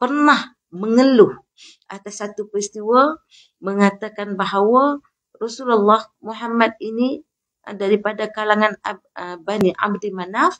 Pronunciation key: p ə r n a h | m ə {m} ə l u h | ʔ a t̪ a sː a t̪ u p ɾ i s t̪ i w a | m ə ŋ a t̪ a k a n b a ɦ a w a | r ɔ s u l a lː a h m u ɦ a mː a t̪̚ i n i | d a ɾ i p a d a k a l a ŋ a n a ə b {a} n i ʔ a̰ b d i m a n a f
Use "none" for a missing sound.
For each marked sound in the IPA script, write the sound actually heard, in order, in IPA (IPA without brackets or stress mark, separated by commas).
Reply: ŋ, a